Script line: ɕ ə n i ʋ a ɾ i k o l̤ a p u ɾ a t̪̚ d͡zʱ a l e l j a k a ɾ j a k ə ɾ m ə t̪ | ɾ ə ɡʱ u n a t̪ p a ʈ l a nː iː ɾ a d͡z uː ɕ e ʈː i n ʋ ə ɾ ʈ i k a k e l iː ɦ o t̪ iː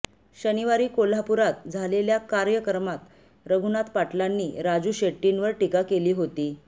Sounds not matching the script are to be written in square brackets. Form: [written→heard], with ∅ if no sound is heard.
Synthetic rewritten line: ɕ ə n i ʋ a ɾ [i→iː] k o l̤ a p u ɾ a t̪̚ d͡zʱ a l e l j a k a ɾ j [a→ə] k ə ɾ m [ə→a] t̪ | ɾ ə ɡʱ u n a t̪ p a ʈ l a nː iː ɾ a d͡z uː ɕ e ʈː i n ʋ ə ɾ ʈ i k a k e l iː ɦ o t̪ iː